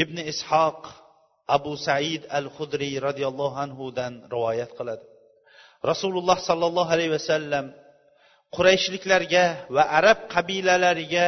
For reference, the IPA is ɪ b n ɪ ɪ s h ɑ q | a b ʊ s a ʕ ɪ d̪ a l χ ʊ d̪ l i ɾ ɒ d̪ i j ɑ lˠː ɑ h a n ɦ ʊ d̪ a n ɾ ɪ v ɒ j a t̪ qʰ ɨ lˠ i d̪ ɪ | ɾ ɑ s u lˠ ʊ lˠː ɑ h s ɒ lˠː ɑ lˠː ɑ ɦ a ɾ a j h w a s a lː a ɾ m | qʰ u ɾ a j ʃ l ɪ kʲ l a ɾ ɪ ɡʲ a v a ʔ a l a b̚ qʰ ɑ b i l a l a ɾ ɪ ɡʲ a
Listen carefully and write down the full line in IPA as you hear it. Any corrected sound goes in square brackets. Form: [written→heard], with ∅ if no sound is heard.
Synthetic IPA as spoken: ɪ b n ɪ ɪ s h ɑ q | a b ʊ s a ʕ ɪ d̪ a l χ ʊ d̪ [l→ɾ] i ɾ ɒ d̪ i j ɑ lˠː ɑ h a n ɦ ʊ d̪ a n ɾ ɪ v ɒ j a t̪ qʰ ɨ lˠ [i→a] d̪ ɪ | ɾ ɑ s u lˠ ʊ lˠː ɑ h s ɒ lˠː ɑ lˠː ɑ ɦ a [ɾ→l] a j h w a s a lː a [ɾ→∅] m | qʰ [u→ʊ] ɾ a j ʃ l ɪ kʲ l a ɾ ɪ ɡʲ a v a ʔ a [l→ɾ] a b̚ qʰ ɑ b i l a l a ɾ ɪ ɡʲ a